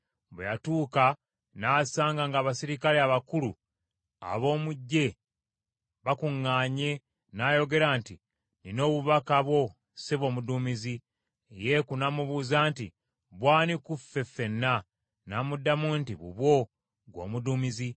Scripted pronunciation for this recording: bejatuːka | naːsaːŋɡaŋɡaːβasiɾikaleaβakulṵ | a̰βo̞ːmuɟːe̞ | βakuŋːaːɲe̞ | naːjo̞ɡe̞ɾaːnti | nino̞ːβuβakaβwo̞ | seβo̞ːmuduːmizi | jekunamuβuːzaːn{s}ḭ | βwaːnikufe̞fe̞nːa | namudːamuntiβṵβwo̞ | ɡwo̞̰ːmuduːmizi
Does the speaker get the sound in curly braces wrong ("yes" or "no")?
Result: yes